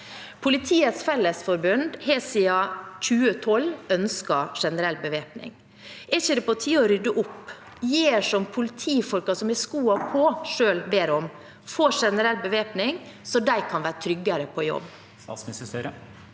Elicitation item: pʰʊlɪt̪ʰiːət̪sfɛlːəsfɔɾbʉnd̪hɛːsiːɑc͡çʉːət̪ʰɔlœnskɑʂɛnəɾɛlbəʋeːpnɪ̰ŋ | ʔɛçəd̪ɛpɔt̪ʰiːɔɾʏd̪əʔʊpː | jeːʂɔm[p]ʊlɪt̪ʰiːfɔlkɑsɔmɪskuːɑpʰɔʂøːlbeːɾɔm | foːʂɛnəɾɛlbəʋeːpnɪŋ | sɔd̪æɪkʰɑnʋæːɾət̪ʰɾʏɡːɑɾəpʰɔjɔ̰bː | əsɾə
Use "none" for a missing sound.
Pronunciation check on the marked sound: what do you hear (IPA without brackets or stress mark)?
pʰ